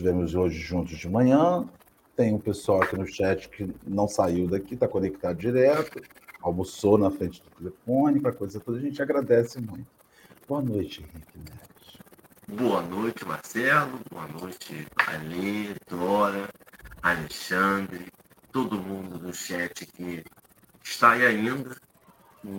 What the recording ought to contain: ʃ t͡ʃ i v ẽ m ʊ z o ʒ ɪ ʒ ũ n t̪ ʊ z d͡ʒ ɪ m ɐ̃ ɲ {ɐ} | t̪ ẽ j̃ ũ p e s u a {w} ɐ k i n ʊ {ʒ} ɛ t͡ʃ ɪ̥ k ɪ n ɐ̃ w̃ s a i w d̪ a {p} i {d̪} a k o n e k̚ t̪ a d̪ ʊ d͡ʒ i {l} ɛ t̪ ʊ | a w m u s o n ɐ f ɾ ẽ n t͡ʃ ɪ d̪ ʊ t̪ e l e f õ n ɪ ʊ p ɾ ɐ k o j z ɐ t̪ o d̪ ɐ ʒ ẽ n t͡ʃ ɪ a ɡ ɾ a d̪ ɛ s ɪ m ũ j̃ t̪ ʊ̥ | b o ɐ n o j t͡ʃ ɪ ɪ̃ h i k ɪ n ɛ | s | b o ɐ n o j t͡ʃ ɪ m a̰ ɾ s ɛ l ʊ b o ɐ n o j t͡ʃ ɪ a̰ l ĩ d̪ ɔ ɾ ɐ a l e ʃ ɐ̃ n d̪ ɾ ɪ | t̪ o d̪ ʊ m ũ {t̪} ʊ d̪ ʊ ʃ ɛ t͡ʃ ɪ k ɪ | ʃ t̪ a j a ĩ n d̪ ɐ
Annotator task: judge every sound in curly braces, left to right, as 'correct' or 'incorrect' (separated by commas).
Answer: incorrect, correct, incorrect, incorrect, incorrect, incorrect, incorrect